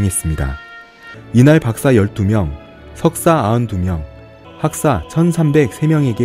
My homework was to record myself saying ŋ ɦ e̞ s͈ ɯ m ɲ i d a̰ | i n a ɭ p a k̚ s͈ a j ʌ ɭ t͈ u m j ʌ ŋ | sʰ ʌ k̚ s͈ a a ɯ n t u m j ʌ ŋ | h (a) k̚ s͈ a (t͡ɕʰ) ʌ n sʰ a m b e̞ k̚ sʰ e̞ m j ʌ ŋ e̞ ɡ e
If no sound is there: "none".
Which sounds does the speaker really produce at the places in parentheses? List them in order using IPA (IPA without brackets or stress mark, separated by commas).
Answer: a, t͡ɕʰ